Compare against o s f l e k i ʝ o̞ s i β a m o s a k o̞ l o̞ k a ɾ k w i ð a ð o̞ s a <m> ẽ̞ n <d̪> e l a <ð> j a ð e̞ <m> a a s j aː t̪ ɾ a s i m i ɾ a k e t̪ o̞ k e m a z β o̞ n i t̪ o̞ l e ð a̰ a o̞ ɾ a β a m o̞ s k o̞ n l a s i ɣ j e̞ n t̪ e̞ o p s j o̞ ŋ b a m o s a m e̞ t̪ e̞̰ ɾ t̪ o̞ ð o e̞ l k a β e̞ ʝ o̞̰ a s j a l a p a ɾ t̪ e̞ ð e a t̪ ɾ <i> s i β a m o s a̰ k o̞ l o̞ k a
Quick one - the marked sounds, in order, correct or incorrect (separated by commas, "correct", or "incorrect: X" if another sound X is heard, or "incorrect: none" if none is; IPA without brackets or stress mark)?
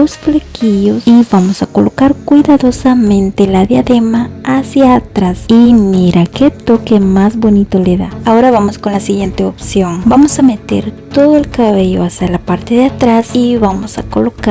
correct, incorrect: t̪, correct, correct, incorrect: a